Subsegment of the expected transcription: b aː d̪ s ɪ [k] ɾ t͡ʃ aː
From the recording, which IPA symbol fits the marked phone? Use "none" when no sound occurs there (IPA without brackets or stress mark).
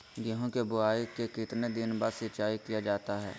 none